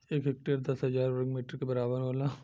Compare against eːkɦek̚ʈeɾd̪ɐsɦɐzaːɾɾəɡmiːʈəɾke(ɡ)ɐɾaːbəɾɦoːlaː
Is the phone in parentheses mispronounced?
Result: yes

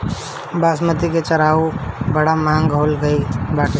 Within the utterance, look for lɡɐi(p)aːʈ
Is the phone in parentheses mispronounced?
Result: yes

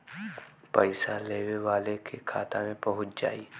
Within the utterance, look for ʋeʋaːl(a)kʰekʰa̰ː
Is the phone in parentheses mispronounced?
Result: yes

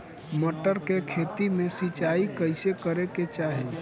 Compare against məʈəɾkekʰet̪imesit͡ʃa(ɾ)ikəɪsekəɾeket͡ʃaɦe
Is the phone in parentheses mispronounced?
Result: yes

